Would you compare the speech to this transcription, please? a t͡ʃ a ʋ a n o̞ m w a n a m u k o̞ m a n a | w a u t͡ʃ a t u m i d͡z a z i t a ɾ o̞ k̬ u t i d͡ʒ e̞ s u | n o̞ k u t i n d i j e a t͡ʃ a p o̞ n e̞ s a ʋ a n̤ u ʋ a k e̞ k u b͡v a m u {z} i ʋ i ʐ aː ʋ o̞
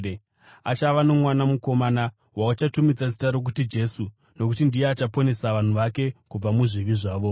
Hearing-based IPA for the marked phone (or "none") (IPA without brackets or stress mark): ʐ